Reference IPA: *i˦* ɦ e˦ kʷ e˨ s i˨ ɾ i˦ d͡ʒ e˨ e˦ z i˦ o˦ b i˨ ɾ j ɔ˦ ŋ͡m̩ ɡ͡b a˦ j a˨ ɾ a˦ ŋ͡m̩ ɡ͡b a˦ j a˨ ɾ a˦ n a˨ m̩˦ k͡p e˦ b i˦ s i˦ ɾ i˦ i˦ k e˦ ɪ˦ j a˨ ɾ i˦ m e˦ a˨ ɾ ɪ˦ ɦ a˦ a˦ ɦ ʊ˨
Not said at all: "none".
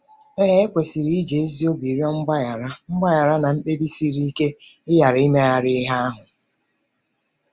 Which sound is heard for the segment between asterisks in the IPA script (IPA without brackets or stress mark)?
e˦